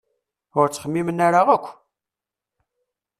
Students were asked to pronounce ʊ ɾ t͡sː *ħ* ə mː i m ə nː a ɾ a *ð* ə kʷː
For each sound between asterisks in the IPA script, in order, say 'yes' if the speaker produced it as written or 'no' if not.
no, no

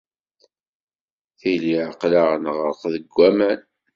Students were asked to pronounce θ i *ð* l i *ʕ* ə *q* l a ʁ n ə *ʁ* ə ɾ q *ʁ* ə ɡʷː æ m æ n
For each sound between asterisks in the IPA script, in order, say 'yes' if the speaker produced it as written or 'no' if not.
no, yes, yes, yes, no

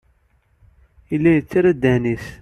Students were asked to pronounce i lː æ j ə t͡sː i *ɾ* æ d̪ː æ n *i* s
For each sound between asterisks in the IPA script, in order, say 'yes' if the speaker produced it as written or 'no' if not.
yes, yes

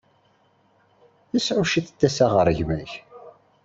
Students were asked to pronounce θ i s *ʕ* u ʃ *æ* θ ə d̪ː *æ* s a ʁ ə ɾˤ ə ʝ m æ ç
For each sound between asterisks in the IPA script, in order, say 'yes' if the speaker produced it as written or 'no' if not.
yes, no, yes

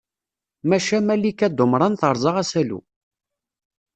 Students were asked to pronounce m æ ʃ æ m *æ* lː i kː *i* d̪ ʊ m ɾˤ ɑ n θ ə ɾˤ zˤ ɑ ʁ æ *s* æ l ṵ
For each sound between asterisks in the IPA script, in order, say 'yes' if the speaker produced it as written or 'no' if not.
yes, no, yes

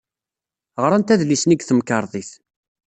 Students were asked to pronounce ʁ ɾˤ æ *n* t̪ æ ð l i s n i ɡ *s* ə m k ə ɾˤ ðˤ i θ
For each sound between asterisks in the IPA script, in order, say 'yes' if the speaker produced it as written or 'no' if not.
yes, no

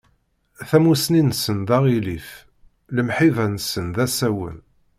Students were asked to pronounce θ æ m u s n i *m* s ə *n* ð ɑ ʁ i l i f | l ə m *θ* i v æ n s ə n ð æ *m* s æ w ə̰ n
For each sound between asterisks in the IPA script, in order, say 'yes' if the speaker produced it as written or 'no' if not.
no, yes, no, no

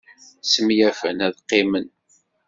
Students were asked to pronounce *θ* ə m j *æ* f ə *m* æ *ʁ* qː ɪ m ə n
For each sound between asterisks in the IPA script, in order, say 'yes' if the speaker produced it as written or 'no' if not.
no, yes, no, no

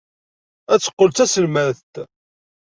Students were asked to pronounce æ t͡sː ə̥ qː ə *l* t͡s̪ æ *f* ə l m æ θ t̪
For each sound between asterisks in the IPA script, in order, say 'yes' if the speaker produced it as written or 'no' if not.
yes, no

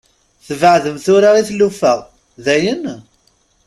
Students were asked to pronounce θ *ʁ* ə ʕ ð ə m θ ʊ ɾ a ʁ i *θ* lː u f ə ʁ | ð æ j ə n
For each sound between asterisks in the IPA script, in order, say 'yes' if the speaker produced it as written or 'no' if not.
no, yes

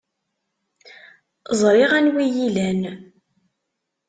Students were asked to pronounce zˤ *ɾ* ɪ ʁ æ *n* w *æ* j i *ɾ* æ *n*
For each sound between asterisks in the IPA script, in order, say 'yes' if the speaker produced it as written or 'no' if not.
yes, yes, no, no, yes

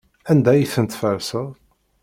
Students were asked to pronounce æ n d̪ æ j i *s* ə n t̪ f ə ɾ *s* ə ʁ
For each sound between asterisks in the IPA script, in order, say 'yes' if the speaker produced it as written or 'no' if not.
no, yes

